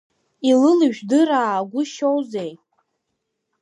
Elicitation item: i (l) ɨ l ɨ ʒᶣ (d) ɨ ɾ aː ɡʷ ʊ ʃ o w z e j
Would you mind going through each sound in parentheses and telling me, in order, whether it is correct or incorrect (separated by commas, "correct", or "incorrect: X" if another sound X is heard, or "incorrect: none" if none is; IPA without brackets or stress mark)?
correct, correct